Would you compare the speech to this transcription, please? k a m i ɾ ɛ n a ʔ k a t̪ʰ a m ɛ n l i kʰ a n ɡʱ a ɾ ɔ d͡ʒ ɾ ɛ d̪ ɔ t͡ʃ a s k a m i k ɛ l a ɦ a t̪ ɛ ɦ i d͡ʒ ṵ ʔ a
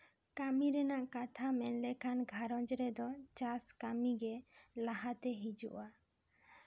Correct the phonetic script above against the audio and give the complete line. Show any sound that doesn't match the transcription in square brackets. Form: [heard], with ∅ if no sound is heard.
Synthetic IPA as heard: k a m i ɾ ɛ n a ʔ k a t̪ʰ a m ɛ n l [ɛ] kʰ a n ɡʱ a ɾ ɔ d͡ʒ ɾ ɛ d̪ ɔ t͡ʃ a s k a m i [ɡ] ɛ l a ɦ a t̪ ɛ ɦ i d͡ʒ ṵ ʔ a